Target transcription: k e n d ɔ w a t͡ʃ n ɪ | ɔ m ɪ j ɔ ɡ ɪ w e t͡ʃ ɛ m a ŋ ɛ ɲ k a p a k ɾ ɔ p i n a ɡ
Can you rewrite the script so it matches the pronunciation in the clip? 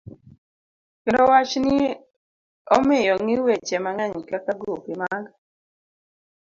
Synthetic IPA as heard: k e n d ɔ w a t͡ʃ n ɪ | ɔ m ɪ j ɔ ŋ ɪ w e t͡ʃ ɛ m a ŋ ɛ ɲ k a k a ɡ ɾ u p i m a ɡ